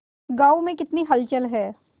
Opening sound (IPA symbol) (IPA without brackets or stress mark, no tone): ɡ